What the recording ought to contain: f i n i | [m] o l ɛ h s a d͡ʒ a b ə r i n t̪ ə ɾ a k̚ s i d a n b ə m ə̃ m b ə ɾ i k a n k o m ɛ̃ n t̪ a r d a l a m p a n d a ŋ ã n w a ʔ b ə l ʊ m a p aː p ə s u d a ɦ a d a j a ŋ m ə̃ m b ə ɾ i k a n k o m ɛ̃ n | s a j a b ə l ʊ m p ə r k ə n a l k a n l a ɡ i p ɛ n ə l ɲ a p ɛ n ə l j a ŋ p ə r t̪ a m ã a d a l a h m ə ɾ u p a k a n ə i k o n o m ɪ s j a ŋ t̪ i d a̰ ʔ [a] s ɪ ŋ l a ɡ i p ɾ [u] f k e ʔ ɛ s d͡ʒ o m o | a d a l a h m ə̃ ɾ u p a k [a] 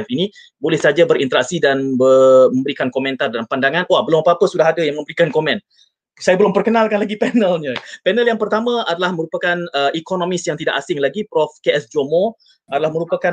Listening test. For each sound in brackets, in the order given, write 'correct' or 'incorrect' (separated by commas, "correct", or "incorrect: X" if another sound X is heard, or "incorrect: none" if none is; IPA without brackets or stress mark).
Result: incorrect: b, correct, incorrect: ɔ, correct